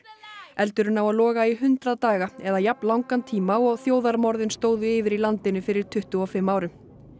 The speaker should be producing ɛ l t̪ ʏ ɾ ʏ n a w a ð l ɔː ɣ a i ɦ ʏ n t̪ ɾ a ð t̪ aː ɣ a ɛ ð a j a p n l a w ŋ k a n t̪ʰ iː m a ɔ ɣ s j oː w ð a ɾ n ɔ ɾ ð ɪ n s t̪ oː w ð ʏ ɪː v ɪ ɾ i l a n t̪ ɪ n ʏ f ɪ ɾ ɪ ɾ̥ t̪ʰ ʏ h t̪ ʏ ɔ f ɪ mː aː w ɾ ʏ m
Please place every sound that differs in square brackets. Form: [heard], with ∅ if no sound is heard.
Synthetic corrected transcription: ɛ l t̪ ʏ ɾ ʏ n a w a ð l ɔː ɣ a i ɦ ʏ n t̪ ɾ a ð t̪ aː ɣ a ɛ ð a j a p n l a w ŋ k a n t̪ʰ iː m a ɔ ɣ [θ] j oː w ð a ɾ [m] ɔ ɾ ð ɪ n s t̪ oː w ð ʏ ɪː v ɪ ɾ i l a n t̪ ɪ n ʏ f ɪ ɾ ɪ ɾ̥ t̪ʰ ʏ h t̪ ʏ ɔ f ɪ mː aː w ɾ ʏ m

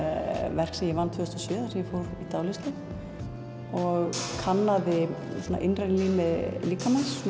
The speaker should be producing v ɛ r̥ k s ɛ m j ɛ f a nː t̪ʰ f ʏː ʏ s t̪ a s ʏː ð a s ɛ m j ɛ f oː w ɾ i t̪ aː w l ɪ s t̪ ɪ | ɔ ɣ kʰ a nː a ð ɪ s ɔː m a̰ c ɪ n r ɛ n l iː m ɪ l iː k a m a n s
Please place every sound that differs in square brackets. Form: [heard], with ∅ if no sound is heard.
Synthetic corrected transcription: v ɛ r̥ k s ɛ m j ɛ [v] a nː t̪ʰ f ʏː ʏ s t̪ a s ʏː ð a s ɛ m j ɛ f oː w ɾ i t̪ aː w l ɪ s t̪ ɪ | ɔ ɣ kʰ a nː a ð ɪ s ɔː [n] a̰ [ʔ] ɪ n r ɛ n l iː m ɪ l iː k a m a n s

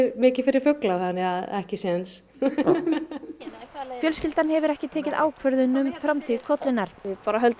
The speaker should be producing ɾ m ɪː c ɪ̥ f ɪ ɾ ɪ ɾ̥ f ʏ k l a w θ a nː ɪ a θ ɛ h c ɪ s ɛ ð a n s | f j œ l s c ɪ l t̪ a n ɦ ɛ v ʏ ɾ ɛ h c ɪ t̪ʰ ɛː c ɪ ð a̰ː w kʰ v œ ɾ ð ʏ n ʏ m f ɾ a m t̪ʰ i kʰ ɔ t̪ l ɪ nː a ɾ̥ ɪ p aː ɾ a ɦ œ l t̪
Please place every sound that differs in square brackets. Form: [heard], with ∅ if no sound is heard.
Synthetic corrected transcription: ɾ m ɪː c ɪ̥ f ɪ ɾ ɪ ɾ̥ f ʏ k l a w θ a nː ɪ a [ð] ɛ h c ɪ s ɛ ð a n s | f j œ l s c ɪ l t̪ a n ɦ ɛ v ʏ ɾ ɛ h c ɪ t̪ʰ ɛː c ɪ ð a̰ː w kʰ v œ ɾ ð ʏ n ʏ m f ɾ a m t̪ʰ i kʰ ɔ t̪ l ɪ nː a ɾ̥ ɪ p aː ɾ a ɦ œ l t̪

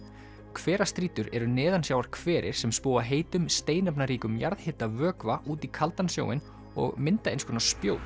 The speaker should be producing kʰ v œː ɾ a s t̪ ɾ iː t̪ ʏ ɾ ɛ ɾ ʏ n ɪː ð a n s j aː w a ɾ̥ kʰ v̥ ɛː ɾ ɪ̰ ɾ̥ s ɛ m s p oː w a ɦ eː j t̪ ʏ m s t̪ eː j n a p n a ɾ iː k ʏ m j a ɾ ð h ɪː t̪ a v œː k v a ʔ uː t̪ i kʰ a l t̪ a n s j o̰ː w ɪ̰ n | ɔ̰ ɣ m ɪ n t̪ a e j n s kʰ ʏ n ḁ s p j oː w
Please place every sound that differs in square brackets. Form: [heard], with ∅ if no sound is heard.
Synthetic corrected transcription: kʰ v [ɛː] ɾ a s t̪ ɾ iː t̪ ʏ ɾ ɛ ɾ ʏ n ɪː ð a n s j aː w a ɾ̥ kʰ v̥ ɛː ɾ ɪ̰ ɾ̥ s ɛ m s p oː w a ɦ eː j t̪ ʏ m s t̪ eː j n a p n a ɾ iː k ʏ m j a ɾ ð h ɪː t̪ a v œː k v a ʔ uː t̪ i kʰ a l t̪ a n s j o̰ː w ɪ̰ n | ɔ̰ ɣ m ɪ n t̪ a e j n s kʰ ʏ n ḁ s p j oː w

